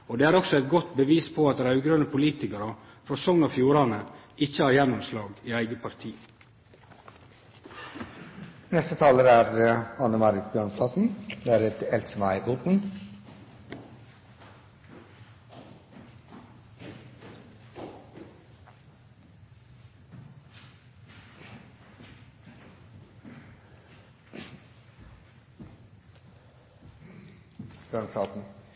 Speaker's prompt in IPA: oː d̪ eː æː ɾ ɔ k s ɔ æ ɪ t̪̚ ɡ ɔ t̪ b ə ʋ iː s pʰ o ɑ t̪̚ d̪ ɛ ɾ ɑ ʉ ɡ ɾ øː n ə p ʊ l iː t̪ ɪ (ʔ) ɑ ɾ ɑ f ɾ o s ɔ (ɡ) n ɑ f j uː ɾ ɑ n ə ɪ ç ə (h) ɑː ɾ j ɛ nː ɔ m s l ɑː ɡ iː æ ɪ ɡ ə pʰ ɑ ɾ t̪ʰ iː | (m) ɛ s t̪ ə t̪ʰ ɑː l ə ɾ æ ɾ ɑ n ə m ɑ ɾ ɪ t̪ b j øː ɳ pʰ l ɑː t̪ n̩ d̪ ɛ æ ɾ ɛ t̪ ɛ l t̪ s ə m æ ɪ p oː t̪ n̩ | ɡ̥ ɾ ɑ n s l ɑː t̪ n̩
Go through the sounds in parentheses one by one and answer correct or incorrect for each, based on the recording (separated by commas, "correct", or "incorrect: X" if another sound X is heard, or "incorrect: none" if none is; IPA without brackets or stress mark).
incorrect: k, incorrect: ŋ, correct, incorrect: n